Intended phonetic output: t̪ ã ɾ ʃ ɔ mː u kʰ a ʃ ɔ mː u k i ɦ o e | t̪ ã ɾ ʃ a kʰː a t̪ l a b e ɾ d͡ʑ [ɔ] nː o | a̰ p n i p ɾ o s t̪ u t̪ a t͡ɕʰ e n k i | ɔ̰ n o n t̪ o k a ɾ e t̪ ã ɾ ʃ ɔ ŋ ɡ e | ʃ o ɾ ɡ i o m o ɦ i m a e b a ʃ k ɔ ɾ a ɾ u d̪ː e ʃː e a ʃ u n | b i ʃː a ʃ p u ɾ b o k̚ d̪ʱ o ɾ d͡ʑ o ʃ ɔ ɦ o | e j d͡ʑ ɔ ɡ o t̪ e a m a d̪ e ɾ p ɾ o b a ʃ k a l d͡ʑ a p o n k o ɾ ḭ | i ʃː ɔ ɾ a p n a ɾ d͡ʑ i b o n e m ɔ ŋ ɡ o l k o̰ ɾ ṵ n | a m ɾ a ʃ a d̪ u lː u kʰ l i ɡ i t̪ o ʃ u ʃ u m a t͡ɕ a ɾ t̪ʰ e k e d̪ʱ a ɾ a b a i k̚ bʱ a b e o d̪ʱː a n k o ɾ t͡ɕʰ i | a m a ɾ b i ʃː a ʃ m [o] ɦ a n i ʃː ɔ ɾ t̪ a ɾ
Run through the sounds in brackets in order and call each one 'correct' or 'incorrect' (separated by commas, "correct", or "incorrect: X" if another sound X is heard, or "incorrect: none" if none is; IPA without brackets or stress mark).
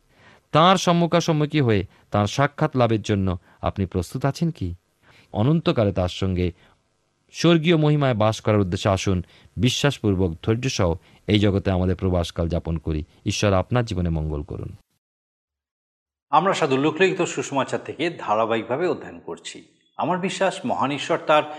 incorrect: o, incorrect: ɔ